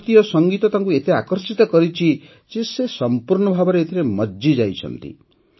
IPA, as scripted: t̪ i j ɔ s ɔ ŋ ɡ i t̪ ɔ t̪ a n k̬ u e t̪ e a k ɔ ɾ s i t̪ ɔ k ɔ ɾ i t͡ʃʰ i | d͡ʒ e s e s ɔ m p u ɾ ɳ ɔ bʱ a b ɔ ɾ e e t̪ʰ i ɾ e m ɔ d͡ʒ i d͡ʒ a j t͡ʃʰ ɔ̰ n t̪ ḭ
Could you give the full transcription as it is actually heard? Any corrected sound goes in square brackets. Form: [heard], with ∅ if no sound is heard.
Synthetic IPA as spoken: t̪ i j ɔ s ɔ ŋ ɡ i t̪ ɔ t̪ a [ŋ] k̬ u e t̪ e a k ɔ ɾ s i t̪ ɔ k ɔ ɾ i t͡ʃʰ i | d͡ʒ e s e s ɔ m p u ɾ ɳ ɔ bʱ a b ɔ ɾ e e t̪ʰ i ɾ e m ɔ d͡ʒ i d͡ʒ a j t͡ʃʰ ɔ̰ n t̪ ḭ